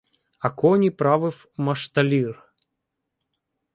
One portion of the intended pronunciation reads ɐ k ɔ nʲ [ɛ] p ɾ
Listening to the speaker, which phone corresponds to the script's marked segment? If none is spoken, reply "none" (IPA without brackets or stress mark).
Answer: i